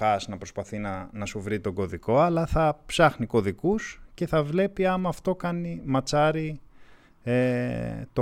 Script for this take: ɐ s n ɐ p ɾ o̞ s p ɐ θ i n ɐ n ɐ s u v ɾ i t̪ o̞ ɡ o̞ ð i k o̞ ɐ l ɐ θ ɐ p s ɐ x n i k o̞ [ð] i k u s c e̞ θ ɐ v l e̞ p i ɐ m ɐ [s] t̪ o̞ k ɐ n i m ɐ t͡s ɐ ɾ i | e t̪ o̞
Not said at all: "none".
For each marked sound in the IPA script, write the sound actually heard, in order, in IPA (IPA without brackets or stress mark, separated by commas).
ð, f